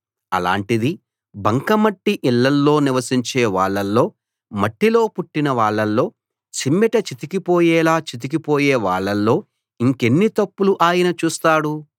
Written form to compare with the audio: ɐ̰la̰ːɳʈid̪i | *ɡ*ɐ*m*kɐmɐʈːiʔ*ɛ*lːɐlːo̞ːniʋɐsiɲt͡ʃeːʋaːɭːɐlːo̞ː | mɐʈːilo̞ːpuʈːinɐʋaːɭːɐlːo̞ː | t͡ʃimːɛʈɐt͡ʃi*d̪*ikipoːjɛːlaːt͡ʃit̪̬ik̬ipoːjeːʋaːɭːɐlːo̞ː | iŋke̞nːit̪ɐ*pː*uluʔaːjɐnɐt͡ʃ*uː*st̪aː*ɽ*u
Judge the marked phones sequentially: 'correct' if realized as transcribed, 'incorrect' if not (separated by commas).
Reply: incorrect, incorrect, incorrect, incorrect, correct, correct, correct